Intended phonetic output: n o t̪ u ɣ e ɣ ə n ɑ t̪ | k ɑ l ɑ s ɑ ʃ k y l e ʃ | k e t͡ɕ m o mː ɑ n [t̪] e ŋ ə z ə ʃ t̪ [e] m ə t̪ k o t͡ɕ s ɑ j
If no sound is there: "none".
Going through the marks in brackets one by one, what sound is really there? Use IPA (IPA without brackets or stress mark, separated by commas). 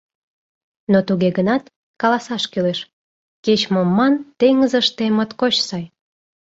t̪, e